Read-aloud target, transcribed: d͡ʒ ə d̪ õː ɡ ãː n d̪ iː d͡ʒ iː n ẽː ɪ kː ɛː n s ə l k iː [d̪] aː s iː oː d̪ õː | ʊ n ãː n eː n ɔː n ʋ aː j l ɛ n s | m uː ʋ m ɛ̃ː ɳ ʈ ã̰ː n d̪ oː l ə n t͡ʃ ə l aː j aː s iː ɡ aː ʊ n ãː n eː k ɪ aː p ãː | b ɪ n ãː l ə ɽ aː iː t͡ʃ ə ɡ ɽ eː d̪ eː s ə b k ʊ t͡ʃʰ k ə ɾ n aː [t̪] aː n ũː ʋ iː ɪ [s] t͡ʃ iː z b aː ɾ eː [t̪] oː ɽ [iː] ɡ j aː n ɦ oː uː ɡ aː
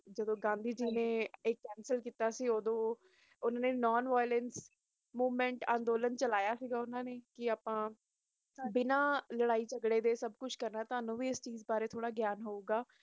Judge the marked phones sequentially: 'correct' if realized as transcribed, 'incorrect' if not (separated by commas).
incorrect, correct, correct, incorrect, incorrect